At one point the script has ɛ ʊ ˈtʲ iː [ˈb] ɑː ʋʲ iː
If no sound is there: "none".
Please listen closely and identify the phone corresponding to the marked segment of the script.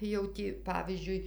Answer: p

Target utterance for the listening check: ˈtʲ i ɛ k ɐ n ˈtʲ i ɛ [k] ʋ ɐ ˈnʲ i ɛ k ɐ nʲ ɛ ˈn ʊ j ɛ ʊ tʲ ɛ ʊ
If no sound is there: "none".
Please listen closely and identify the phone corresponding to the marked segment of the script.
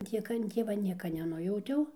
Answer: none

